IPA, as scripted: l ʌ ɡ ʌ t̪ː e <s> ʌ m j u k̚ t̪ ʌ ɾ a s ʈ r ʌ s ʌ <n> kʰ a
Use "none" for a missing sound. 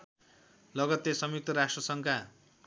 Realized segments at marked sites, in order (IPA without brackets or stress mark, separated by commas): s, ŋ